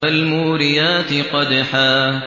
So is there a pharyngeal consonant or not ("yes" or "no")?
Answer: yes